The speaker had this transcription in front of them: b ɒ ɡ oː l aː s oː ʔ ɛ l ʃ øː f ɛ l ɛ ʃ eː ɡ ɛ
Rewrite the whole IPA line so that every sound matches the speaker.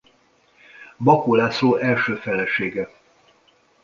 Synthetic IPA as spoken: b ɒ k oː l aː s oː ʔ ɛ l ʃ øː f ɛ l ɛ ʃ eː ɡ ɛ